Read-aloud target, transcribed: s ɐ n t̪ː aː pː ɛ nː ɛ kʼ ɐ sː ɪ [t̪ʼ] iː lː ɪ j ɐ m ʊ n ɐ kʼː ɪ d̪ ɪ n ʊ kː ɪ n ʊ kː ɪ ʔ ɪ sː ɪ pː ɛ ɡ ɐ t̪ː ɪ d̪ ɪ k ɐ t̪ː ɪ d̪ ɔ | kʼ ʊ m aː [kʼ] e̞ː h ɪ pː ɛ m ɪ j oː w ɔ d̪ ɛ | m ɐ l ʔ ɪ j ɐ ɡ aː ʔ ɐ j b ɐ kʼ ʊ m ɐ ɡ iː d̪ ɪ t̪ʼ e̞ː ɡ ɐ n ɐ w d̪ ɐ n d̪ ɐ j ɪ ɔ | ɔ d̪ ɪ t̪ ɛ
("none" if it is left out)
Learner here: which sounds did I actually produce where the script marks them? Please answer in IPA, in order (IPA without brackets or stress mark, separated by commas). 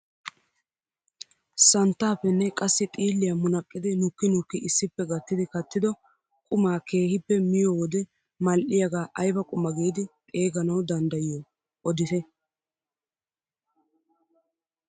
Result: t̪ʼ, k